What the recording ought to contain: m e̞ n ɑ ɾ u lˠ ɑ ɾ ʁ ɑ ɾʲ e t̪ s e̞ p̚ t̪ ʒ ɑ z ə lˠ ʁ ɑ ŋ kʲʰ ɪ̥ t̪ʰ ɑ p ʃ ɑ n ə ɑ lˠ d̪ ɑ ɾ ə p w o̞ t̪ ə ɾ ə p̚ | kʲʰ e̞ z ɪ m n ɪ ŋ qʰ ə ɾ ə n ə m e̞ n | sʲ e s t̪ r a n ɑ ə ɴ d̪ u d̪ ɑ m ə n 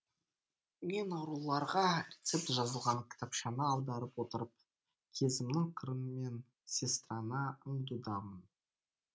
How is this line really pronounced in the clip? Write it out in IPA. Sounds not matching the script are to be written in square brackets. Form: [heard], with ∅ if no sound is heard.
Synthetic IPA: m e̞ n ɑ ɾ u lˠ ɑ ɾ ʁ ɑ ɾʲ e t̪ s e̞ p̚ t̪ ʒ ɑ z ə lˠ ʁ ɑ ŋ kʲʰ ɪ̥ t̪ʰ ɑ p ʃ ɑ n ə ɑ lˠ d̪ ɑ ɾ ə p w o̞ t̪ ə ɾ ə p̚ | kʲʰ e̞ z ɪ m n ɪ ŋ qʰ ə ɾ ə n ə m e̞ n | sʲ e s t̪ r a n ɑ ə ɴ d̪ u d̪ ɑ m ə n